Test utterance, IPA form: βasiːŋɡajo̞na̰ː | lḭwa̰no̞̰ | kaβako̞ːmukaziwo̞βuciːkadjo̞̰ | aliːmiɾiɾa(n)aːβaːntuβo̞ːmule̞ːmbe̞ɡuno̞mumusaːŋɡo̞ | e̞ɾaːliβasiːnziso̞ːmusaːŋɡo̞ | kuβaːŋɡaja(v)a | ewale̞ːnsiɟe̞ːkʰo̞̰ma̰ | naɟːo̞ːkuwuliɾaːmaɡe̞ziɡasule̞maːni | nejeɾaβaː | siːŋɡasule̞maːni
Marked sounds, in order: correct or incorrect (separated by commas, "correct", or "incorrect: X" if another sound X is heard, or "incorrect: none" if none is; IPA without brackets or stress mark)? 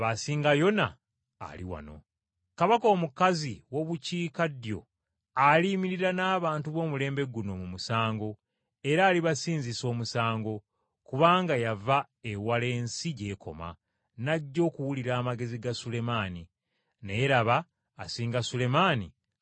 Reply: correct, correct